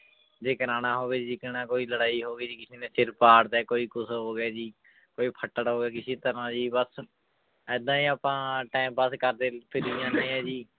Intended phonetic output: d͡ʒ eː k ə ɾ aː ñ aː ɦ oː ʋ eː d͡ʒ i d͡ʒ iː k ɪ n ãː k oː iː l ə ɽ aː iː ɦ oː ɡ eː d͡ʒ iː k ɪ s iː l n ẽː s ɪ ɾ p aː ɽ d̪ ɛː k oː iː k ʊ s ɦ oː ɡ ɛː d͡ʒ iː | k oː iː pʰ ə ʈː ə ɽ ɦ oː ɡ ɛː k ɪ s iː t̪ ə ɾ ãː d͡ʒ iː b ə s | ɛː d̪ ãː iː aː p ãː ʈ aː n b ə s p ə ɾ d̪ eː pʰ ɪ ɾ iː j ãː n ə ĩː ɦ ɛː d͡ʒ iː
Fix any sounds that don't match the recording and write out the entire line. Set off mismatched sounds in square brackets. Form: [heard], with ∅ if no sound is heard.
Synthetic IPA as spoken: d͡ʒ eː k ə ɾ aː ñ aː ɦ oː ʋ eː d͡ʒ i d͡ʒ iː k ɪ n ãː k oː iː l ə ɽ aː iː ɦ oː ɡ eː d͡ʒ iː k ɪ s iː [∅] n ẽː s ɪ ɾ p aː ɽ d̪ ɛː k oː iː k ʊ s ɦ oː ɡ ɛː d͡ʒ iː | k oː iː pʰ ə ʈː ə ɽ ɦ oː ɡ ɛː k ɪ s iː t̪ ə ɾ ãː d͡ʒ iː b ə s | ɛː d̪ ãː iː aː p ãː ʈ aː [m] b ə s [k] ə ɾ d̪ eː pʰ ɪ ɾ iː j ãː n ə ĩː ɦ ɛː d͡ʒ iː